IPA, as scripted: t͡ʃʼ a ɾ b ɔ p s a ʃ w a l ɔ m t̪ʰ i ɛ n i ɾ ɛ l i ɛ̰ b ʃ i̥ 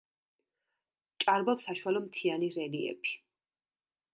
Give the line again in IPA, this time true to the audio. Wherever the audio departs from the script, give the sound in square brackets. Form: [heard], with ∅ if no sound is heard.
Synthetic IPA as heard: t͡ʃʼ a ɾ b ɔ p s a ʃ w a l ɔ m t̪ʰ i [a] n i ɾ ɛ l i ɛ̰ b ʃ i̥